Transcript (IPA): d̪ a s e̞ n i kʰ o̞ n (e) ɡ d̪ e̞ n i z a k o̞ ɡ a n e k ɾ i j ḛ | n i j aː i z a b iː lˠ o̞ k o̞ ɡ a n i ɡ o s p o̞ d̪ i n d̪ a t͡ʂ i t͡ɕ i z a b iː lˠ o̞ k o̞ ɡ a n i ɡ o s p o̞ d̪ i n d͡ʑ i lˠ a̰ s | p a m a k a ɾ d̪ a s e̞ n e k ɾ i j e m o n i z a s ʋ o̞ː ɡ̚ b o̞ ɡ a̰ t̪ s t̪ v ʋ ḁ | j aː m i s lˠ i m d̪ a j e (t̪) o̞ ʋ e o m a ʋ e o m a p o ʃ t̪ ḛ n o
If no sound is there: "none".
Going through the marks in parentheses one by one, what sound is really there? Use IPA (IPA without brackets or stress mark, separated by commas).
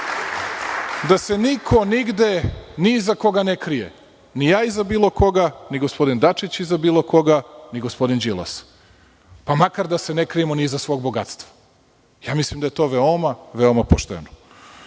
i, t̪